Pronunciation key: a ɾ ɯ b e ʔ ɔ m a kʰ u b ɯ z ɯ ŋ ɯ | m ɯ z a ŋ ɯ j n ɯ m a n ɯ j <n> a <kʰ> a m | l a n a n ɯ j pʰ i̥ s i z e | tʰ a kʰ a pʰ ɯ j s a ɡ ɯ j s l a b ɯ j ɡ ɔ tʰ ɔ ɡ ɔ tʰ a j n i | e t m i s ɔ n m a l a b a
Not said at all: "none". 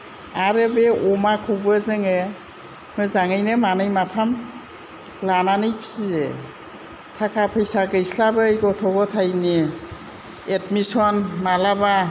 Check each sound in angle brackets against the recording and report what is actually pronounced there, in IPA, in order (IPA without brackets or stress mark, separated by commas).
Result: m, tʰ